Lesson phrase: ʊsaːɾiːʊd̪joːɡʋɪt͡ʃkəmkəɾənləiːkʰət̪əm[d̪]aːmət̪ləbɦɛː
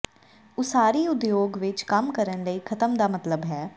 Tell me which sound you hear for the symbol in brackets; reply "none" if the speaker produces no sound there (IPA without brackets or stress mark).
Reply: d̪